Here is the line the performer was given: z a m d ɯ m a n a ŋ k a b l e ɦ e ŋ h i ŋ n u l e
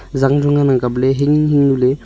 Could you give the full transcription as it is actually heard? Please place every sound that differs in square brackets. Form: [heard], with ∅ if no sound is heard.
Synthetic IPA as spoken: z a [ŋ] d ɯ [ŋ] a n a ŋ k a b l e ɦ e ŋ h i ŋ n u l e